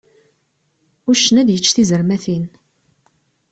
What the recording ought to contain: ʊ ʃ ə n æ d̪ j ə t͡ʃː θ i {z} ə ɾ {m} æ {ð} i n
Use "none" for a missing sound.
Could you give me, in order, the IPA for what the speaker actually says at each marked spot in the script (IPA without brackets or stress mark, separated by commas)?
z, m, θ